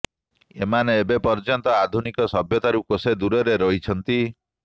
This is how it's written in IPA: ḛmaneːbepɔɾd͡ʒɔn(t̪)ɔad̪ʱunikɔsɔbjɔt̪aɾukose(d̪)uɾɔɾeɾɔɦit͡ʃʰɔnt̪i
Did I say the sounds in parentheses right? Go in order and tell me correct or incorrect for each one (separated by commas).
correct, correct